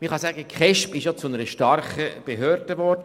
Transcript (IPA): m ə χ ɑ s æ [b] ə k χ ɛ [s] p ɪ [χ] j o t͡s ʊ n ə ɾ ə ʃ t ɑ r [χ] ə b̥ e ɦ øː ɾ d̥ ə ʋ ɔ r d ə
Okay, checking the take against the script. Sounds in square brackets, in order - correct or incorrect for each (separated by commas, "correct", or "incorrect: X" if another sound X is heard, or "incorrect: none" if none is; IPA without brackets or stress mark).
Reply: incorrect: ɡ, incorrect: ʃ, incorrect: ʃ, correct